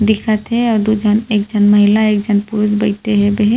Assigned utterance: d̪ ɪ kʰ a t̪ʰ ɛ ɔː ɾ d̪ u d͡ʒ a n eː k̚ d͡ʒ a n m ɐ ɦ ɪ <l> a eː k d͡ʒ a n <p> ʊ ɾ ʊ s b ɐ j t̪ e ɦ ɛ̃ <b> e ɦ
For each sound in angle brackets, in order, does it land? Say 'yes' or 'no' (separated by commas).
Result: yes, yes, yes